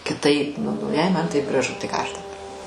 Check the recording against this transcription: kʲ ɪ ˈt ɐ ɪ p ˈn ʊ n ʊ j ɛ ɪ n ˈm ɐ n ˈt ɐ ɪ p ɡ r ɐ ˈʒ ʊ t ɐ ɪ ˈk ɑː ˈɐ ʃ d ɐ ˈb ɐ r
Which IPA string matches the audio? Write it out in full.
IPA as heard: kʲ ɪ ˈt ɐ ɪ p ˈn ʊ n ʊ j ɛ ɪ ˈm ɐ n ˈt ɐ ɪ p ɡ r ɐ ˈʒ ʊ t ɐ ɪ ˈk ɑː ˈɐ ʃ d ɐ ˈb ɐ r